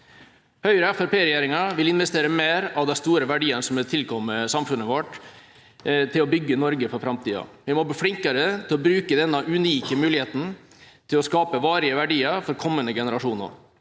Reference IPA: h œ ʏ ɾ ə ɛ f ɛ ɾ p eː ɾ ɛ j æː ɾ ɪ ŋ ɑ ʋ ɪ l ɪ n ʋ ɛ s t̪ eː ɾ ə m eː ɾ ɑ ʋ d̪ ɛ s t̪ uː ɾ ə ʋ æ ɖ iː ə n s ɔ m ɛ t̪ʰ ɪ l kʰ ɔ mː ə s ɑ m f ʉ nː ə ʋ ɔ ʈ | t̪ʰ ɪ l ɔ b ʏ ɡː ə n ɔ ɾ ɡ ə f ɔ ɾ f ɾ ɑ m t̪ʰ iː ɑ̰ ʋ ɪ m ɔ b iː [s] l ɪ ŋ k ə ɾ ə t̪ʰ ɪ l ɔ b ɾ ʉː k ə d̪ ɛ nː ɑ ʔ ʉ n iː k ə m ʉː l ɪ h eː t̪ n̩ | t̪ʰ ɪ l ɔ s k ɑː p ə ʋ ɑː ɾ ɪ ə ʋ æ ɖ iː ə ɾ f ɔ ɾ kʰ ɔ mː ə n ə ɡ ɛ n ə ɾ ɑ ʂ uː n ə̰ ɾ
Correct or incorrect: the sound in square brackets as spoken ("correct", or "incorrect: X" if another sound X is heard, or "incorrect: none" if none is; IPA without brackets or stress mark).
incorrect: f